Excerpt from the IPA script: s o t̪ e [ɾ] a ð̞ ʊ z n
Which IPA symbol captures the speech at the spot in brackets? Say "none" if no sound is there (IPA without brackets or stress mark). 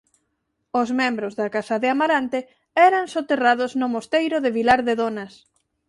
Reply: r